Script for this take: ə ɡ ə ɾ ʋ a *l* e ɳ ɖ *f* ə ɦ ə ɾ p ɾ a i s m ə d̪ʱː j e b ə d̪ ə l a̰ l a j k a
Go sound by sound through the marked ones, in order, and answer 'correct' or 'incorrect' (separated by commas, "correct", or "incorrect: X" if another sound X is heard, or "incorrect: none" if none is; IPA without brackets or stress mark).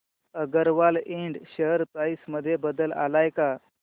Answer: correct, incorrect: ɕ